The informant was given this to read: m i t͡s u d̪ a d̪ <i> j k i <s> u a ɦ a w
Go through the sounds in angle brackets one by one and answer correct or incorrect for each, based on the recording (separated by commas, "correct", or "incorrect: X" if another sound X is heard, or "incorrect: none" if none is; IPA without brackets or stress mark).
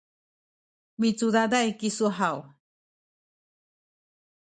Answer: incorrect: a, correct